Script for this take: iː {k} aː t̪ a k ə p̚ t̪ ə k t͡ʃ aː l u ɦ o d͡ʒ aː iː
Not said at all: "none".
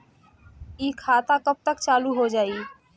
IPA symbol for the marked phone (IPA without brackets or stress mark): kʰ